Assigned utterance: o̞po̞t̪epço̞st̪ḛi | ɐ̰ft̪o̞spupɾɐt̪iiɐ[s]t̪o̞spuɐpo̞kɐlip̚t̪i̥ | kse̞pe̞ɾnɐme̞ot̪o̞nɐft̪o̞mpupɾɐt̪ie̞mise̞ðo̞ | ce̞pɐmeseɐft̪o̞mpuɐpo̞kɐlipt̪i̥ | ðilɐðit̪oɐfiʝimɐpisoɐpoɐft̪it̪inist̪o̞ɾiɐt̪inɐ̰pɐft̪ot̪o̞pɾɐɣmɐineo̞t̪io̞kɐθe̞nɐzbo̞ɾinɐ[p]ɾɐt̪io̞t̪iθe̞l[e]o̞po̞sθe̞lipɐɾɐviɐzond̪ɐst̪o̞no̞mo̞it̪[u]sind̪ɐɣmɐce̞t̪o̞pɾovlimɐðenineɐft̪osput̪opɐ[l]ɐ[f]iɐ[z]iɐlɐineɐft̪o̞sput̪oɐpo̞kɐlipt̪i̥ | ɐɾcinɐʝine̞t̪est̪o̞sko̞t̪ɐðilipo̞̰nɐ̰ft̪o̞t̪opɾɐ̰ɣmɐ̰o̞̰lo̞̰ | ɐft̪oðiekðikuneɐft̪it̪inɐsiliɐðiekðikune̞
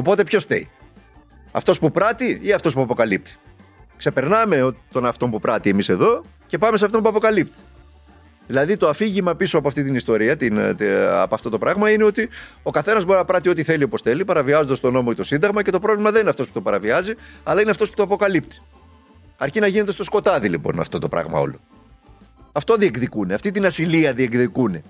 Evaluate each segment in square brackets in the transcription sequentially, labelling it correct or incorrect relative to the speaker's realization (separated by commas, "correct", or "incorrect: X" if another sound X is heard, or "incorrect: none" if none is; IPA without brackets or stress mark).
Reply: incorrect: f, correct, incorrect: i, incorrect: o, incorrect: ɾ, incorrect: v, correct